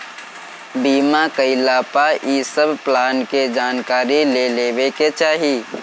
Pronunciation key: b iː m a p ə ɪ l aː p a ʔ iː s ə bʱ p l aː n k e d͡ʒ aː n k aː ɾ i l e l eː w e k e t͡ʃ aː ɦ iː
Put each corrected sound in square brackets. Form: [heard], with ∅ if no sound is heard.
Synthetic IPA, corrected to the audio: b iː m a [k] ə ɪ l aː p a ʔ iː s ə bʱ p l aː n k e d͡ʒ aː n k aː ɾ i l e l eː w e k e t͡ʃ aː ɦ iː

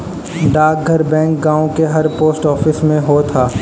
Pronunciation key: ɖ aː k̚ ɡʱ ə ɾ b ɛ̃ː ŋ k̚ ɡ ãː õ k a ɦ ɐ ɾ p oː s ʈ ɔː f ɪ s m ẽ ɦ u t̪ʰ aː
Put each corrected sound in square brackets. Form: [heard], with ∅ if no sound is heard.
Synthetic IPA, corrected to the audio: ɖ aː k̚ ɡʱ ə ɾ b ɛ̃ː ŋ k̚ ɡ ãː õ k [e] ɦ ɐ ɾ p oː s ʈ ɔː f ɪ s m ẽ ɦ [o] t̪ʰ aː

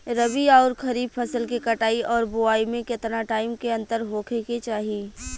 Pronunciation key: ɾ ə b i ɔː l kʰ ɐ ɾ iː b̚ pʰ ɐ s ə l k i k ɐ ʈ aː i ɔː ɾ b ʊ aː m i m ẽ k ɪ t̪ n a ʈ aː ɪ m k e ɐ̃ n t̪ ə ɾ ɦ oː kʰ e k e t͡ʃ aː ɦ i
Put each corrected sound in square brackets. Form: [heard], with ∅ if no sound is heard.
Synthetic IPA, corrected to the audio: ɾ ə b i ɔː [ɾ] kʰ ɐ ɾ iː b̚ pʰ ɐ s ə l k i k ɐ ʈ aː i ɔː ɾ b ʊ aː [∅] i m ẽ k ɪ t̪ n a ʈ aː ɪ m k e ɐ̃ n t̪ ə ɾ ɦ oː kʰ e k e t͡ʃ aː ɦ i

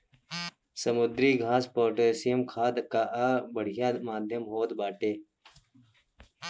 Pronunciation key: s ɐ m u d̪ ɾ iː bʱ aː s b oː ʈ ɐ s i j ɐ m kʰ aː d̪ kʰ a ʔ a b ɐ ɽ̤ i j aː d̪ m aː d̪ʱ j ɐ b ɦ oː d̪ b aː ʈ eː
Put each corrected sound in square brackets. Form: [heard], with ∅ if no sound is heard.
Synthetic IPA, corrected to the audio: s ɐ m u d̪ ɾ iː [ɡʱ] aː s [p] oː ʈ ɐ s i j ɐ m kʰ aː d̪ [k] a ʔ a b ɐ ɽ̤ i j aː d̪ m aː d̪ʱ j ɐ [m] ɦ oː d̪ b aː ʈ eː

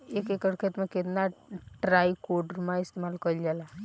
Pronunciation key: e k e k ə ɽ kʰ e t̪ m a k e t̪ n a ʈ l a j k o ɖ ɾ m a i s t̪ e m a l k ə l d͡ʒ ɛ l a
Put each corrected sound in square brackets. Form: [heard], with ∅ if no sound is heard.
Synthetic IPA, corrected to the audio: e k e k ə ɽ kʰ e t̪ m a k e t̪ n a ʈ [ɾ] a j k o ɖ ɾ m a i s t̪ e m a l k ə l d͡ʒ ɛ l a

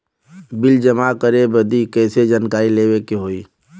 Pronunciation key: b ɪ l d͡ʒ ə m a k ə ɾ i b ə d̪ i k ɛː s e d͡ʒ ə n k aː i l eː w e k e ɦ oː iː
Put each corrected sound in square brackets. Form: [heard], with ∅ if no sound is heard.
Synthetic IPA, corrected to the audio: b ɪ l d͡ʒ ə m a k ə ɾ [e] b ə d̪ i k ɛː s e d͡ʒ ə n k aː i l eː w e k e ɦ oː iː

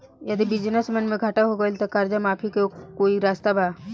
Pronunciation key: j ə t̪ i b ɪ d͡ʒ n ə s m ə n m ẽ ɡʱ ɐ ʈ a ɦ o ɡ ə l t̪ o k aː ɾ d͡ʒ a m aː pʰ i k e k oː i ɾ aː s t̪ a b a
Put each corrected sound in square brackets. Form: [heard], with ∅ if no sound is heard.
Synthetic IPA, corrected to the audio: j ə [d̪] i b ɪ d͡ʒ n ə s m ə n m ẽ ɡʱ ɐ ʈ a ɦ o ɡ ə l t̪ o k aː ɾ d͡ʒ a m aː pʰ i k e k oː i ɾ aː s t̪ a b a

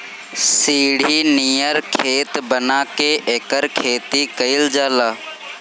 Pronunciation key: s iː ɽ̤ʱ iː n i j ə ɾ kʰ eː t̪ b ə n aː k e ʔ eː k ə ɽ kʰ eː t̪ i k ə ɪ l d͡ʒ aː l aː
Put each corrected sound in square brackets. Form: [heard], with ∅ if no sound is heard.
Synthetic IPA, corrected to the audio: s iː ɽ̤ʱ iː n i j ə ɾ kʰ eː t̪ b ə n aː k e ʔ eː k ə [ɾ] kʰ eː t̪ i k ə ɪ l d͡ʒ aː l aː

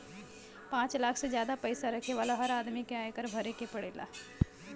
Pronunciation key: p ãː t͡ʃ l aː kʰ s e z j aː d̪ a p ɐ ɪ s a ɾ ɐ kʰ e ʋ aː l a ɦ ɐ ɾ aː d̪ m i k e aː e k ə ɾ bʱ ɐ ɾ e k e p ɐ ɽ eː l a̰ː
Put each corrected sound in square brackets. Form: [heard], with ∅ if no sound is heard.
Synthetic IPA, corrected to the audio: p ãː t͡ʃ l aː kʰ s e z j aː d̪ a p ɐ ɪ s a ɾ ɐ kʰ e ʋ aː l a ɦ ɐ ɾ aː d̪ m i k e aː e k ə ɾ bʱ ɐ ɾ e k e p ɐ ɽ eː l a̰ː

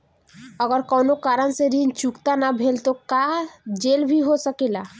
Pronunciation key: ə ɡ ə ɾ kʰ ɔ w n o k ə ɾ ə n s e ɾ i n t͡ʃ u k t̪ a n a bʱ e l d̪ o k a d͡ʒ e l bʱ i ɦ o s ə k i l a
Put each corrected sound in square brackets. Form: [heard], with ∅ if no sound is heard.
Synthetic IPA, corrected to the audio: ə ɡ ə ɾ [k] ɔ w n o k [a] ɾ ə n s e ɾ i n t͡ʃ u k t̪ a n a bʱ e l [t̪] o k a d͡ʒ e l bʱ i ɦ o s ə k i l a

